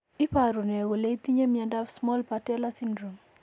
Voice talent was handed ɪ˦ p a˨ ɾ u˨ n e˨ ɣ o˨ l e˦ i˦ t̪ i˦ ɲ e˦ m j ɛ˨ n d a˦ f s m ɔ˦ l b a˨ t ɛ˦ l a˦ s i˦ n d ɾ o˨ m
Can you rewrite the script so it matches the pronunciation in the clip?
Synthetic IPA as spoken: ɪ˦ p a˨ ɾ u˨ n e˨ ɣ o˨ l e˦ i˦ t̪ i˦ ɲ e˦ m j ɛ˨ n d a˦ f s m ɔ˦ l p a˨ t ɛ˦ l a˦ s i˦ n d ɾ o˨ m